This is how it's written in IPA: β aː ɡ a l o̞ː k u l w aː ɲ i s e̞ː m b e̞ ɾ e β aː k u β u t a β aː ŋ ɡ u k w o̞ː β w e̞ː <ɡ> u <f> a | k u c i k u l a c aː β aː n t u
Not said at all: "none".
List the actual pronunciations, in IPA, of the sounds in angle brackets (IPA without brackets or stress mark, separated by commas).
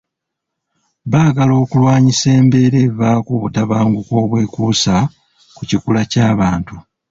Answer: k, s